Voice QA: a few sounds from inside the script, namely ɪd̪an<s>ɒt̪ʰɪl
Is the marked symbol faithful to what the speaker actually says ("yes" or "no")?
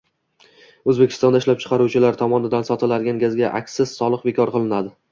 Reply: yes